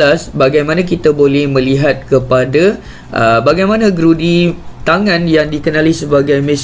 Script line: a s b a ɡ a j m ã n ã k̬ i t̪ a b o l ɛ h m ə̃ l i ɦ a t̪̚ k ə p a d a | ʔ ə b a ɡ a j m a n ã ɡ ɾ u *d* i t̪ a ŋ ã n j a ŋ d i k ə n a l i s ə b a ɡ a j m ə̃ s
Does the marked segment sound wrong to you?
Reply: no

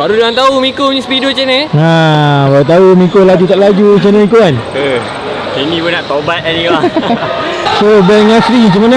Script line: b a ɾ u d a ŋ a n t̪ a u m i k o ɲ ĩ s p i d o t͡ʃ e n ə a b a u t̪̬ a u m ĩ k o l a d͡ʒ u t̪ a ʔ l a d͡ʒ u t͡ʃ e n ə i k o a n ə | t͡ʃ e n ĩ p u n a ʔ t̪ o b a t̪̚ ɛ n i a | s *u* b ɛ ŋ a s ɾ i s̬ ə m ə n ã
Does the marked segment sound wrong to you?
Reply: yes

